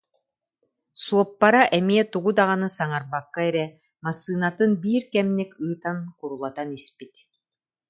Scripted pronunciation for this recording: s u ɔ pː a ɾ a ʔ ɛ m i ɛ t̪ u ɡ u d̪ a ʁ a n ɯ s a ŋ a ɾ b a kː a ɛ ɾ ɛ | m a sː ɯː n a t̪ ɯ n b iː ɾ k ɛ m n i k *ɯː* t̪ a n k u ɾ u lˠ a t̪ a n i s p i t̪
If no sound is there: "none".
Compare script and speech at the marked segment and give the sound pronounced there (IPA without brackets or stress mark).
ɯː